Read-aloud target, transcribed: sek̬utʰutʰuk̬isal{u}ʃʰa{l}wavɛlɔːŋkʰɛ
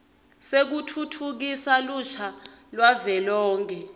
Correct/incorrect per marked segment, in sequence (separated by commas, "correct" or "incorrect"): correct, correct